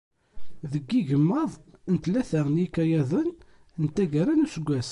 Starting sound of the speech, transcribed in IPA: ð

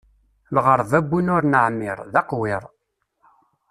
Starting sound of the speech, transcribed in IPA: l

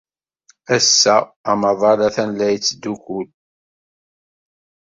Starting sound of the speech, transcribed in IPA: æ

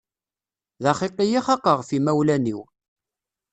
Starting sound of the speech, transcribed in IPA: ð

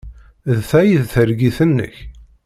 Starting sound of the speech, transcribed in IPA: ð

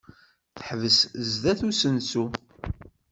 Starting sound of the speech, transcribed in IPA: θ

